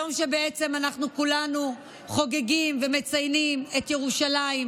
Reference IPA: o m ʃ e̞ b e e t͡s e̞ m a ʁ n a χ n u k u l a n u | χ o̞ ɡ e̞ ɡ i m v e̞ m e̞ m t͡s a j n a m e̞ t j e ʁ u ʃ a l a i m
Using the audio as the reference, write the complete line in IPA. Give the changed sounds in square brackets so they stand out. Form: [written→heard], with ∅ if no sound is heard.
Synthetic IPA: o m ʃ e̞ b e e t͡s e̞ m a [ʁ→∅] n a χ n u k u l a n u | χ o̞ ɡ e̞ ɡ i m v e̞ m e̞ [m→∅] t͡s a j n [a→i] m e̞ t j e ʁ u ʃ a l a i m